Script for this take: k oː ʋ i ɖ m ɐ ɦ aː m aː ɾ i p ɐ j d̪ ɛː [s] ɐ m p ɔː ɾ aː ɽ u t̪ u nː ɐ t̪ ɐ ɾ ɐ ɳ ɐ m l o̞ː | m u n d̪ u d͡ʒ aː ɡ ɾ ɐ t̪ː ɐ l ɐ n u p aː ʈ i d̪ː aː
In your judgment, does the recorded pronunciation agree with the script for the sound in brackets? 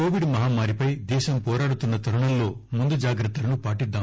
no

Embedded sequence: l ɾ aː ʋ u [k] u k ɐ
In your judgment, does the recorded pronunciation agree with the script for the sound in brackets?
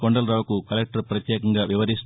yes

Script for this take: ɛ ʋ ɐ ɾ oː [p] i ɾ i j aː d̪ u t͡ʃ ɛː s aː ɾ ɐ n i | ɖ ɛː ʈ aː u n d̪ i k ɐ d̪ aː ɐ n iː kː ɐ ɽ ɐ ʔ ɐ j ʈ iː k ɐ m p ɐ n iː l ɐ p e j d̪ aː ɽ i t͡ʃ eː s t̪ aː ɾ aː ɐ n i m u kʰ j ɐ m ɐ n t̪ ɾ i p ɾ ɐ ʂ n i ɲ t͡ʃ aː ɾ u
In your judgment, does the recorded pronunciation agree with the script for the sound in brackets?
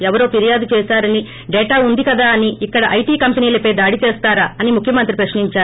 yes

